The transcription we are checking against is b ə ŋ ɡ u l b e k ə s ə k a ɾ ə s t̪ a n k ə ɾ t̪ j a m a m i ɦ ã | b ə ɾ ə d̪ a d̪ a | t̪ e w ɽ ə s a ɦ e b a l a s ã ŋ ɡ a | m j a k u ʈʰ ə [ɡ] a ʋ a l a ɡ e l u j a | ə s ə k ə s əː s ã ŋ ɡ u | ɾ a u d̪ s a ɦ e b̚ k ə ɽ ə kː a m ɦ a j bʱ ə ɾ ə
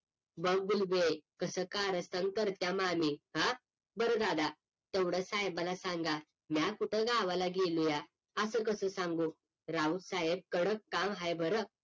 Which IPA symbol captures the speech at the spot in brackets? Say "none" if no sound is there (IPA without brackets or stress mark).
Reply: ɡ